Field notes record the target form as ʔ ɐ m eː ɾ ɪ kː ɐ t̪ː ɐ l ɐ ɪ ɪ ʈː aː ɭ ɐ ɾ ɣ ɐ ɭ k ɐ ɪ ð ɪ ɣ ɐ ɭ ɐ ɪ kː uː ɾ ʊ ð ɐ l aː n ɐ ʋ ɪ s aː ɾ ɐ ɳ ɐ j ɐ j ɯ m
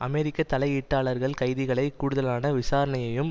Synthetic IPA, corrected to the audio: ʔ ɐ m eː ɾ ɪ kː ɐ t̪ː ɐ l ɐ ɪ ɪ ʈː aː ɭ ɐ ɾ ɣ ɐ ɭ k ɐ ɪ ð ɪ ɣ ɐ ɭ ɐ ɪ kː uː ɽ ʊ ð ɐ l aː n ɐ ʋ ɪ s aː ɾ ɐ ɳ ɐ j ɐ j ɯ m